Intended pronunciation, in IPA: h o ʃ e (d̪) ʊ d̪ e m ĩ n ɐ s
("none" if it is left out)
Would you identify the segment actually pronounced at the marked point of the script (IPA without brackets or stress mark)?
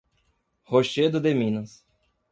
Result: d̪